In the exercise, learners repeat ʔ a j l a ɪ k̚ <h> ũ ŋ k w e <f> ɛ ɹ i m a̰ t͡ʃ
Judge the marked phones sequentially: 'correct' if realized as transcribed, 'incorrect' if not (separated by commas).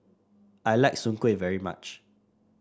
incorrect, incorrect